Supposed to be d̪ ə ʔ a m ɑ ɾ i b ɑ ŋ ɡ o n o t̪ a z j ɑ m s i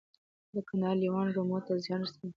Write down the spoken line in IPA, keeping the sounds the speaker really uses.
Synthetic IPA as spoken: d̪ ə k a n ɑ l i w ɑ n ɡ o m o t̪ a z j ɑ n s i